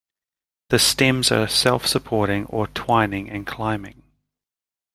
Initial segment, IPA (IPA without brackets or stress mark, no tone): ð